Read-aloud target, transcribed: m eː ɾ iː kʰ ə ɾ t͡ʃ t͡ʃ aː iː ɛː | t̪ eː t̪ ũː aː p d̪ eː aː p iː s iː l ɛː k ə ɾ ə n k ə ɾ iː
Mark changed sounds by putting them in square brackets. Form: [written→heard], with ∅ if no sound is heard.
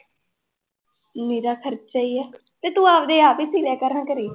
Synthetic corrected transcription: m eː ɾ [iː→aː] kʰ ə ɾ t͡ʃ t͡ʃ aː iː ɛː | t̪ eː t̪ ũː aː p d̪ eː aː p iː s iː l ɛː k ə ɾ ə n k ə ɾ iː